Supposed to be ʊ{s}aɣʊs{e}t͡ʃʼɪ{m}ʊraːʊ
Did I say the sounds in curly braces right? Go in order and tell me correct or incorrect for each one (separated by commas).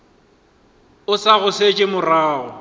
correct, correct, correct